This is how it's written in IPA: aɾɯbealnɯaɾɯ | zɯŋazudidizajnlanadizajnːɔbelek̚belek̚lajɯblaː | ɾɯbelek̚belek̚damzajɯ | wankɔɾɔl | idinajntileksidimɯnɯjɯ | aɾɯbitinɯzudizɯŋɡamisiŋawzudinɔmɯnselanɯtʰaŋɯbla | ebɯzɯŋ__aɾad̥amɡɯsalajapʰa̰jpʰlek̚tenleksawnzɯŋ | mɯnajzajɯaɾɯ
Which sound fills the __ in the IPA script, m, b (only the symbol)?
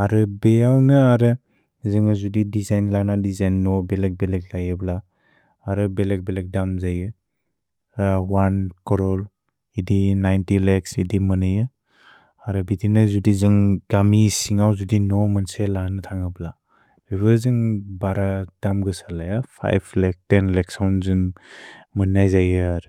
b